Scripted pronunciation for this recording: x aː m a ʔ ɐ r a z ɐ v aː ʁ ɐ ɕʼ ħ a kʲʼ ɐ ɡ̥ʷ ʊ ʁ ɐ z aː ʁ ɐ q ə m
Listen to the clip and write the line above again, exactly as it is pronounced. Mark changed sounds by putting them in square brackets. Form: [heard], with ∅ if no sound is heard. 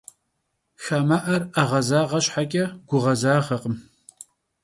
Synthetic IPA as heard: x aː m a ʔ ɐ r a [ʁ] ɐ [z] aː ʁ ɐ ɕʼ ħ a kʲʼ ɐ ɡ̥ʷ ʊ ʁ ɐ z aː ʁ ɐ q ə m